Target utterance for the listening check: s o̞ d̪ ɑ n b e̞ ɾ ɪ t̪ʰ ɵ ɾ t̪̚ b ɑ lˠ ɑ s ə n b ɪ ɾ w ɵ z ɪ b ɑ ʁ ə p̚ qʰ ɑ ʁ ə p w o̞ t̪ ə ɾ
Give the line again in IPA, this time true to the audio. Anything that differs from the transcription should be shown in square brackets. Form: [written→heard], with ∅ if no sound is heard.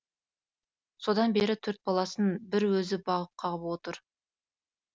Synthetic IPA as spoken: s o̞ d̪ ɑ n b e̞ ɾ ɪ t̪ʰ ɵ ɾ t̪̚ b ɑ lˠ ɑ s ə n b ɪ ɾ w ɵ z ɪ b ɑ ʁ ə p̚ qʰ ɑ ʁ ə p w o̞ t̪ ə ɾ